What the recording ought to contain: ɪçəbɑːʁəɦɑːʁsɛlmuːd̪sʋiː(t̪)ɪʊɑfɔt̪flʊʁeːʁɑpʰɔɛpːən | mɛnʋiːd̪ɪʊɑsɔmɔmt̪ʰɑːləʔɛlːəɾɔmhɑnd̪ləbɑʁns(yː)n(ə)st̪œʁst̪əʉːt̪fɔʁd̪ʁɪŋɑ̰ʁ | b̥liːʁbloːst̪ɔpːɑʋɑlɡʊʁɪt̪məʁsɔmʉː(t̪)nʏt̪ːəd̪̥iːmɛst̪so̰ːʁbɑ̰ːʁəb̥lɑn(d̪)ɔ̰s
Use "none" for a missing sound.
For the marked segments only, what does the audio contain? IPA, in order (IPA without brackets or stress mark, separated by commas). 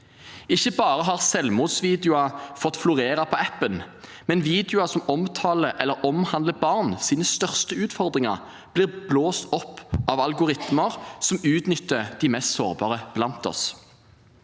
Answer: d̪, iː, ə, t̪, t̪